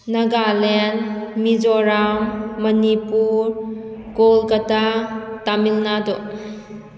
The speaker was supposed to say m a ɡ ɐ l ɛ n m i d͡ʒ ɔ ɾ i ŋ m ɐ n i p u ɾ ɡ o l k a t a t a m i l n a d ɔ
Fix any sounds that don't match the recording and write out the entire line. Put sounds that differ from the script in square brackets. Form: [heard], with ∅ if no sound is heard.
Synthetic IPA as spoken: [n] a ɡ [a] l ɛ n m i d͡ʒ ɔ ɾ [a] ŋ m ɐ n i p u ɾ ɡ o l k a t a t a m i l n a d ɔ